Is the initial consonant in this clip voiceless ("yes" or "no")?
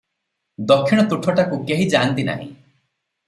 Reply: no